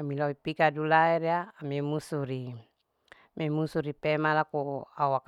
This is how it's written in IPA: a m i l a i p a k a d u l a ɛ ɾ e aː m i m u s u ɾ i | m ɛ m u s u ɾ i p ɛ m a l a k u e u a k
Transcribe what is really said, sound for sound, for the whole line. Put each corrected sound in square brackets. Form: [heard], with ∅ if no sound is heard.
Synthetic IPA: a m i l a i p [i] k a d u l a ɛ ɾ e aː m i m u s u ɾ i | m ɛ m u s u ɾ i p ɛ m a l a k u [a] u a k